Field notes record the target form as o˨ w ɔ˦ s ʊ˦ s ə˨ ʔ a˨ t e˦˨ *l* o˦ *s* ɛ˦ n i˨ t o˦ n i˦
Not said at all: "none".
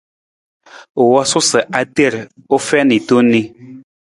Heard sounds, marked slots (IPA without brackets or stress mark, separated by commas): ɾ, f